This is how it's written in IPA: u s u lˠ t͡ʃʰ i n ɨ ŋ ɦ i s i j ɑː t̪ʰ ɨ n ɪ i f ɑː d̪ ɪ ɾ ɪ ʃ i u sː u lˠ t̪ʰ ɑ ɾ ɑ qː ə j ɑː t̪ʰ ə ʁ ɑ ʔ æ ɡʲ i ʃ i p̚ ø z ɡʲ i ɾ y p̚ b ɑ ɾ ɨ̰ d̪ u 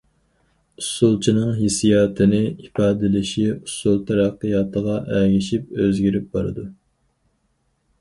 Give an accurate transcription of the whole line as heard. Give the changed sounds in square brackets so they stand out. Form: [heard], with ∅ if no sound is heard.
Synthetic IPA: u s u lˠ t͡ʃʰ i n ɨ ŋ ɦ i s i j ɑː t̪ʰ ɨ n ɪ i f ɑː d̪ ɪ [l] ɪ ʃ i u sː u lˠ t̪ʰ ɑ ɾ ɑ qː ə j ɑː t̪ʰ ə ʁ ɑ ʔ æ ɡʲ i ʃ i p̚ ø z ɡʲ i ɾ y p̚ b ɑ ɾ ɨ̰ d̪ u